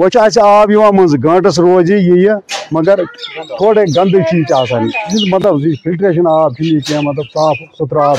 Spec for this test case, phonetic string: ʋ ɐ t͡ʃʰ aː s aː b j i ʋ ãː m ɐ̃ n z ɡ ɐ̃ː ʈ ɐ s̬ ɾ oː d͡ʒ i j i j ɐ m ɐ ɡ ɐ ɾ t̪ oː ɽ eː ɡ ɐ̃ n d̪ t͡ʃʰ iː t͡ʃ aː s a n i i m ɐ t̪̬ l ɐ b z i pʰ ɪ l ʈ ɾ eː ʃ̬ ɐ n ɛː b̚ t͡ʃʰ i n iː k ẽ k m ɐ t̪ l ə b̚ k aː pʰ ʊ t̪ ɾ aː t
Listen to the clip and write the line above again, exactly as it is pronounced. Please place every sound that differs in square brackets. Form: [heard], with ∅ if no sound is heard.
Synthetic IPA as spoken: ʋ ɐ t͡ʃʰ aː s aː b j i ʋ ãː m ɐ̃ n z ɡ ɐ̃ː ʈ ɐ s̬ ɾ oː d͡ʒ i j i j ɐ m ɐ ɡ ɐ ɾ [t̪ʰ] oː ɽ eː ɡ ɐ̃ n d̪ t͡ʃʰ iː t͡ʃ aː s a n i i m ɐ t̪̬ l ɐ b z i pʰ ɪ l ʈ ɾ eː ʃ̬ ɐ n [aː] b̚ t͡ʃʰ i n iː k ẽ [∅] m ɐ t̪ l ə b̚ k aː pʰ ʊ t̪ ɾ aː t